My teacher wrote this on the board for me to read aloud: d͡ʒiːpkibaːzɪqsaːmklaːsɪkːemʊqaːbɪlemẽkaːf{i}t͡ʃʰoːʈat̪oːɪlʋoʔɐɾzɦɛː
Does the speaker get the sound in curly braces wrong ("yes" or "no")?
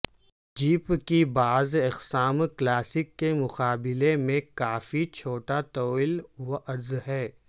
no